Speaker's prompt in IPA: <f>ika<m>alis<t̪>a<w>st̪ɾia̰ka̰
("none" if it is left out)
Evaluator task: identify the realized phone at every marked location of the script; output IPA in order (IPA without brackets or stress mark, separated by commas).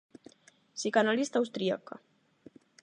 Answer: s, n, t̪, w